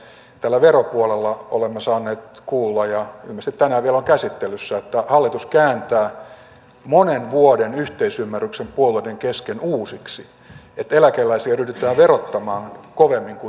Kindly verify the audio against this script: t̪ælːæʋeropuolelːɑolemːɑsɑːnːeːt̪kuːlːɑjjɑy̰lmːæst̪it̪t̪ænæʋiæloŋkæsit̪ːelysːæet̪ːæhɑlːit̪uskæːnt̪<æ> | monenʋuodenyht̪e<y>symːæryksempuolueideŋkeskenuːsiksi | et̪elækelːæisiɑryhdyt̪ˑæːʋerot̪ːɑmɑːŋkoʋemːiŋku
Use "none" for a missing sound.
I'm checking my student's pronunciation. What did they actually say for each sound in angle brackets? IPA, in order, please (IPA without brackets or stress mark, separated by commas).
æː, i